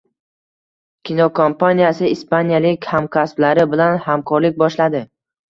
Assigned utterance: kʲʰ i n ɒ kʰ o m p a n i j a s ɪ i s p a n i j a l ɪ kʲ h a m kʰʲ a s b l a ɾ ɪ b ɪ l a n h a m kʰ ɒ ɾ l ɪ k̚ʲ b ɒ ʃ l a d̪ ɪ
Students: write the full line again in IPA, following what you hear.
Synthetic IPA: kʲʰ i n ɒ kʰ o m p a n i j a s ɪ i s p a n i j a l ɪ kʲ h a m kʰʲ a s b l a ɾ ɪ b ɪ l a n h a m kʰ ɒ ɾ l ɪ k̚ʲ b ɒ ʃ l a d̪ ɪ